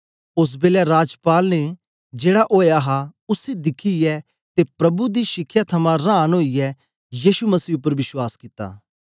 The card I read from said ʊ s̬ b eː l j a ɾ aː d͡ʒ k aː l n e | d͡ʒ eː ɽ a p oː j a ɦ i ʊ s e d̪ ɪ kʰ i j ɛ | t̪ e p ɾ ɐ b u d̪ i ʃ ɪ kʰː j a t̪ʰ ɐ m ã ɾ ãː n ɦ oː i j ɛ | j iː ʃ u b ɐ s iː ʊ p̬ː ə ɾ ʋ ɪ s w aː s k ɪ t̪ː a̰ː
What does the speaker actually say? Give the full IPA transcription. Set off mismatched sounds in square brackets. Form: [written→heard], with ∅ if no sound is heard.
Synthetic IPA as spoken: ʊ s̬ b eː l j a ɾ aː d͡ʒ [k→p] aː l n e | d͡ʒ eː ɽ a [p→ʔ] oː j a ɦ [i→a] ʊ s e d̪ ɪ kʰ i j ɛ | t̪ e p ɾ ɐ b u d̪ i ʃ ɪ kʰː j a t̪ʰ ɐ m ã ɾ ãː n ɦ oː i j ɛ | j iː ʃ u [b→m] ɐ s iː ʊ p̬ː ə ɾ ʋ ɪ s w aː s k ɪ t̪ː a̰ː